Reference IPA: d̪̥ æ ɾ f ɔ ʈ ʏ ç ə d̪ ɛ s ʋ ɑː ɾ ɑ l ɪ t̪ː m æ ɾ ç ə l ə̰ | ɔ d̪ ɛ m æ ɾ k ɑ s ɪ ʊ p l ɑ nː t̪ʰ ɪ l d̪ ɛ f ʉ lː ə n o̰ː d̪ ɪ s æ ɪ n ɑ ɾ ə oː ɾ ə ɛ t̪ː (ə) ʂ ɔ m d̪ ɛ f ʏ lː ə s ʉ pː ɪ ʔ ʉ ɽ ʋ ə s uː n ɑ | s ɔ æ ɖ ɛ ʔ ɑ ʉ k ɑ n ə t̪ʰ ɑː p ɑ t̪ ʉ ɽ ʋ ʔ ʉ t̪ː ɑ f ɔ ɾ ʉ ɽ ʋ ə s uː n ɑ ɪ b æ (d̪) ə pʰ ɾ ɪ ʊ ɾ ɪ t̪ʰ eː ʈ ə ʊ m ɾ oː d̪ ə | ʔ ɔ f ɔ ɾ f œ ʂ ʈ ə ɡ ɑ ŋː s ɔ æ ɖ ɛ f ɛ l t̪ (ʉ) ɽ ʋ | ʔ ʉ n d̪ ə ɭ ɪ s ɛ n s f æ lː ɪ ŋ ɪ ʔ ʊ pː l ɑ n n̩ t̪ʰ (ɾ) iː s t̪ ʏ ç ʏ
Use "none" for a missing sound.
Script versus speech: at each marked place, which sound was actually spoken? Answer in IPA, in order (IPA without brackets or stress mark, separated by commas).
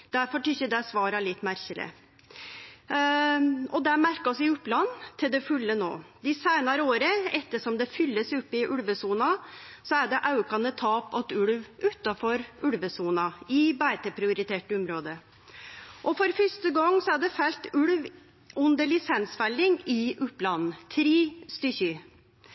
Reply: ə, t̪, ʉ, ɾ